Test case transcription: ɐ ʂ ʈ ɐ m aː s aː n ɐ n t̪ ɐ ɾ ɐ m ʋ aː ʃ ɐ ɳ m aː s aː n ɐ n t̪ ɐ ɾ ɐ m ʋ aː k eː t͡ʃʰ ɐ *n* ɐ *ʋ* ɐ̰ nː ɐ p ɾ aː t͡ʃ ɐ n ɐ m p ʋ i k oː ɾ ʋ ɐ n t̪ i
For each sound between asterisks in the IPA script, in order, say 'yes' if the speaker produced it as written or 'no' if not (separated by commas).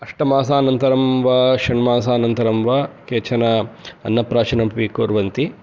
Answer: yes, no